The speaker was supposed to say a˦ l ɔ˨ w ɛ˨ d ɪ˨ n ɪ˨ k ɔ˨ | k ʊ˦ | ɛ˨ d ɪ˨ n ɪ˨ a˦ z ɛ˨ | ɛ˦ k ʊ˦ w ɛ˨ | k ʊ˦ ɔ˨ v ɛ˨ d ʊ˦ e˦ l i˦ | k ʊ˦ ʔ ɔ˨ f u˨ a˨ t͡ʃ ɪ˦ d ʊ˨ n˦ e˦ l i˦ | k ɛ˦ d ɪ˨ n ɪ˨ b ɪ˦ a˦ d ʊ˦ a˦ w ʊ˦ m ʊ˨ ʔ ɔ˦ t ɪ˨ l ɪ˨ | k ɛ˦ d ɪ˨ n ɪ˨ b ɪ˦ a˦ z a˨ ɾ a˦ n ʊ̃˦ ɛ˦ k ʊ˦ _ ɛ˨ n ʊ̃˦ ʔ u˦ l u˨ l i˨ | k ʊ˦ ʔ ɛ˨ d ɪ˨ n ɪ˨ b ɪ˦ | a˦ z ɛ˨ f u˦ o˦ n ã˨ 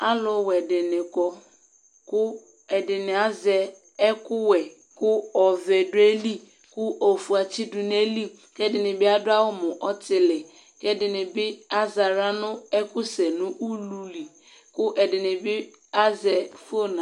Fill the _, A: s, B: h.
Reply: A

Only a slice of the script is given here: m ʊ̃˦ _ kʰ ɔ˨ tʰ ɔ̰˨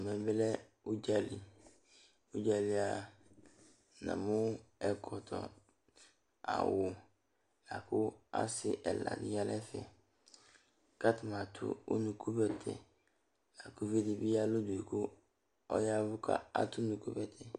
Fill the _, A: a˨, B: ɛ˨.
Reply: B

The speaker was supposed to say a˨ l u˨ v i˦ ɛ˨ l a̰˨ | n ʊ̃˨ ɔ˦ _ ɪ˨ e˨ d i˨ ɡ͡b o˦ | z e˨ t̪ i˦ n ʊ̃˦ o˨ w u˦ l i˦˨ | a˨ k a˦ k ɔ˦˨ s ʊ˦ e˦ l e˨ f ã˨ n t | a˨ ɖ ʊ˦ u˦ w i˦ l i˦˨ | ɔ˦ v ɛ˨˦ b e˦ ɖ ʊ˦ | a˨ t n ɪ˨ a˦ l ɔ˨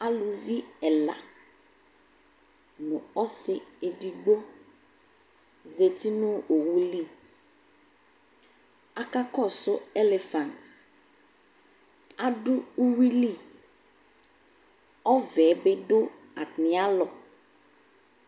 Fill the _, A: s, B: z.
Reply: A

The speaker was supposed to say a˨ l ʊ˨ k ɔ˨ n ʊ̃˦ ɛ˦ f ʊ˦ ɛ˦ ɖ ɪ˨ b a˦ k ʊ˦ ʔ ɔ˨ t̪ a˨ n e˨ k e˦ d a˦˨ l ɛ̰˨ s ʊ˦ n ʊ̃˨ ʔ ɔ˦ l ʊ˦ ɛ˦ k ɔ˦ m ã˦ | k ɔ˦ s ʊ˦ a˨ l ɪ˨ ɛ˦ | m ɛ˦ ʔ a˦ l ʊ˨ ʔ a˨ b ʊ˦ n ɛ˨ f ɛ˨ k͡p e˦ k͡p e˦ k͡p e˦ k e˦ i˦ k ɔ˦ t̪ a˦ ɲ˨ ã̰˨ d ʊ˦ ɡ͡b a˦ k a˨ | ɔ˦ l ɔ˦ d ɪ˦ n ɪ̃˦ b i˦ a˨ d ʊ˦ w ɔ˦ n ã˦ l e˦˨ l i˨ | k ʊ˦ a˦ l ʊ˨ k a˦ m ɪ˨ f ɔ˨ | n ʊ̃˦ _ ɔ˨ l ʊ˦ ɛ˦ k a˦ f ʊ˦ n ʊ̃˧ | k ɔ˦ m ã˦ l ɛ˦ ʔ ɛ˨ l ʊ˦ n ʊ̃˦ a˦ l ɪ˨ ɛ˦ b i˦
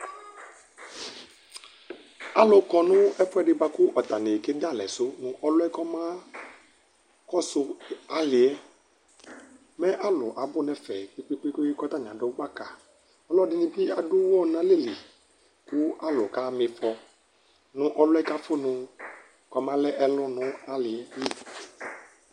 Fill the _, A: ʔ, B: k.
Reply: A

